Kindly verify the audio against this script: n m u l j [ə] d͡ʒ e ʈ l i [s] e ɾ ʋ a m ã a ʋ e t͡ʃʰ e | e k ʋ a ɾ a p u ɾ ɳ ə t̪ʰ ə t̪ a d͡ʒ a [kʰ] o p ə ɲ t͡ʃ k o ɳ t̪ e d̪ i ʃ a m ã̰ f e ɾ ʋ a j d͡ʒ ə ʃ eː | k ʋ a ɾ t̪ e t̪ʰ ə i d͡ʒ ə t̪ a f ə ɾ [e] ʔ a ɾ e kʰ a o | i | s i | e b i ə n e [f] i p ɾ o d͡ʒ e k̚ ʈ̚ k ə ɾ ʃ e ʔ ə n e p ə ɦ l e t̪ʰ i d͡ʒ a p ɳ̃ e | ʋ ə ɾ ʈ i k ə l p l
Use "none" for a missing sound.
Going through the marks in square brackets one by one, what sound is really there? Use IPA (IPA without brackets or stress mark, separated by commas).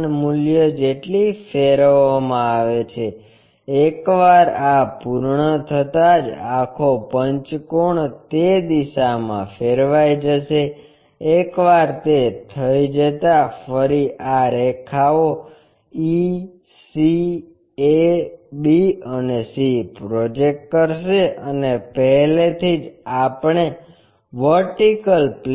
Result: ə, f, kʰ, i, s